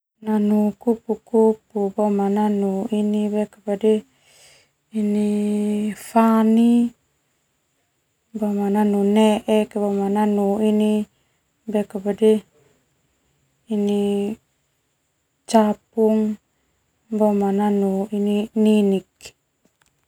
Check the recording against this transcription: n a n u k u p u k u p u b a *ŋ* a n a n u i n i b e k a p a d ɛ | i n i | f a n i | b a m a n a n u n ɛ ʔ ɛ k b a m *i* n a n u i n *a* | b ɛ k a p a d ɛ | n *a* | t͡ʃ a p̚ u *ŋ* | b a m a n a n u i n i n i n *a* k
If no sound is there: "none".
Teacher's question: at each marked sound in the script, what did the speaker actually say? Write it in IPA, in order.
m, a, i, i, ŋ, i

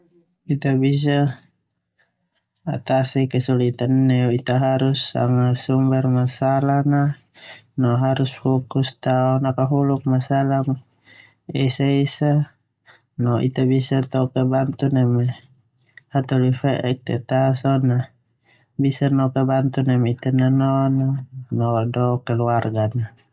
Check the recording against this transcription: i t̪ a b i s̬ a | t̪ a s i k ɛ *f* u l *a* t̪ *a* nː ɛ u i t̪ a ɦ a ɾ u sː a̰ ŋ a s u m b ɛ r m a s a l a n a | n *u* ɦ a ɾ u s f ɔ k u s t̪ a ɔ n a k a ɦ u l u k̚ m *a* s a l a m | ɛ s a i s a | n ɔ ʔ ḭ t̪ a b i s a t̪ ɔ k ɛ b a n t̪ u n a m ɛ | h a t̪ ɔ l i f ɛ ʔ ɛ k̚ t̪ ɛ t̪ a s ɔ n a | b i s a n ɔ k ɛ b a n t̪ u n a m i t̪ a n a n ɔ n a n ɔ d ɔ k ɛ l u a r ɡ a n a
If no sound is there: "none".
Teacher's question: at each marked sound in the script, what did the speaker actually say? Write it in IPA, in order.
s, i, a, ɔ, a

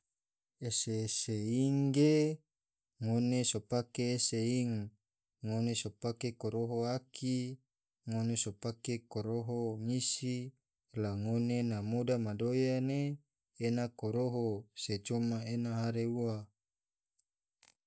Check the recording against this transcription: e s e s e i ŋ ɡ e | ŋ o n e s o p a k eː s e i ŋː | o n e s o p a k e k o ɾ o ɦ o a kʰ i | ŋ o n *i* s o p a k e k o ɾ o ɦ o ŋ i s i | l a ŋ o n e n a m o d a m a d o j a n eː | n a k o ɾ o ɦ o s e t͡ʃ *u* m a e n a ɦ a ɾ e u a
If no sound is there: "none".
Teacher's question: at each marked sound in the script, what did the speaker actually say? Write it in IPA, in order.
e, o

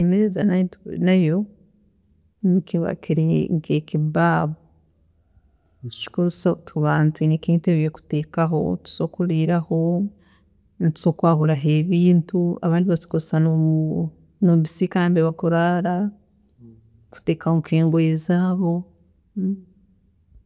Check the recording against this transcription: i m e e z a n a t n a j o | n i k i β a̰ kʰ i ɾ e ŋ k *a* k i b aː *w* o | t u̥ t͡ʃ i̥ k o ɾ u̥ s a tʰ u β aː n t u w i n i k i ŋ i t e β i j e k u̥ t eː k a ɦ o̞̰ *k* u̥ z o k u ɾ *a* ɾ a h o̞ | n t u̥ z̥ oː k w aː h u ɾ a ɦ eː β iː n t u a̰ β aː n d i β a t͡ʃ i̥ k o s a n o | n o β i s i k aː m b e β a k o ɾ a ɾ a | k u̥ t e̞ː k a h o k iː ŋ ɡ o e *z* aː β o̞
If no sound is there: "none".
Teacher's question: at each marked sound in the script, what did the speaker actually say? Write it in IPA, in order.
e, β, t, i, z

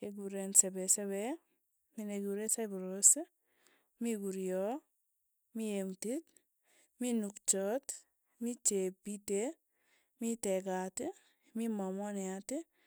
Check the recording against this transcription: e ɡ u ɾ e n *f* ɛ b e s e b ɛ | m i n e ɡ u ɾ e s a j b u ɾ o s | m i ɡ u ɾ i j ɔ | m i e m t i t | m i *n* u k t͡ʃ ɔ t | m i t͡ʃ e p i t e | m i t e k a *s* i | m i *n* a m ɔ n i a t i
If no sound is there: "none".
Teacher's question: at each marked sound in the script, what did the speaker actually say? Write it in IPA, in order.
s, n, t, m

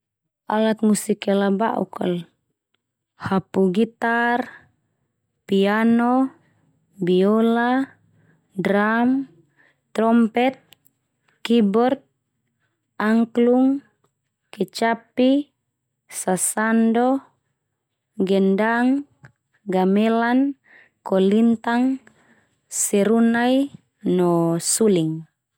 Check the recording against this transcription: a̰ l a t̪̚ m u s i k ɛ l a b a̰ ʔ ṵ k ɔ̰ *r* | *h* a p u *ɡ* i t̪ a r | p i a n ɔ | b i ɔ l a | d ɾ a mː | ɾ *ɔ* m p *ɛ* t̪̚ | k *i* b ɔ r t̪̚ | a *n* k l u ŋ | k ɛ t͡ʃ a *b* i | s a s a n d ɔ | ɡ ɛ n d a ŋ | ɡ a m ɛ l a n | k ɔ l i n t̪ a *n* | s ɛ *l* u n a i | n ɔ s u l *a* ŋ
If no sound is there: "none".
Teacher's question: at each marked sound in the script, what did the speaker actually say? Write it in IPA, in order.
l, h, ɡ, ɔ, ɛ, i, ŋ, p, ŋ, ɾ, i

